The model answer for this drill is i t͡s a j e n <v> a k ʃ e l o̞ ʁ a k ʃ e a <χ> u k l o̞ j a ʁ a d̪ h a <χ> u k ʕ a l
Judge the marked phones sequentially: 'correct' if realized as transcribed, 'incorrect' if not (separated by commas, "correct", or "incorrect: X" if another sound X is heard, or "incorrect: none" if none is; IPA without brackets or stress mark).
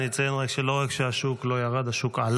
incorrect: ʁ, incorrect: ʃ, incorrect: ʃ